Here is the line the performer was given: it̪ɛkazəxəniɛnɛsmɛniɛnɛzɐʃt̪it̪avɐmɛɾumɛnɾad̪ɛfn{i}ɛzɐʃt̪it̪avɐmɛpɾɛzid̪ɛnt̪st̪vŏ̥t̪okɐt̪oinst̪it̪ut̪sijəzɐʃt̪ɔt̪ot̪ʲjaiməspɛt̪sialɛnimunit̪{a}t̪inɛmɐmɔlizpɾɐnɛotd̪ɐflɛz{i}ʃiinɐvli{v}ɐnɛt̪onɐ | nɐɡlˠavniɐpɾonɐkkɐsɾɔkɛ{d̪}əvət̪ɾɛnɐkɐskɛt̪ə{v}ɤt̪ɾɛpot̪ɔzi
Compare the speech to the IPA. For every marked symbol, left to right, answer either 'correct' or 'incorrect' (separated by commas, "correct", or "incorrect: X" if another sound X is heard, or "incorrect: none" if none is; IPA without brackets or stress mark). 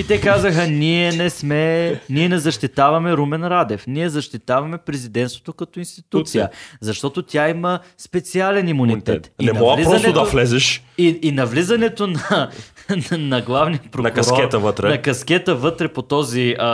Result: correct, incorrect: ɛ, incorrect: ɛ, incorrect: z, incorrect: t̪, correct